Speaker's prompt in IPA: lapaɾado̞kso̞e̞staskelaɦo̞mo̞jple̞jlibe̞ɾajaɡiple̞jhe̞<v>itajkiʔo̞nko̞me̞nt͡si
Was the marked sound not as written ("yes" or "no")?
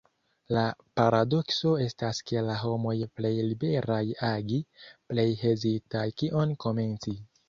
yes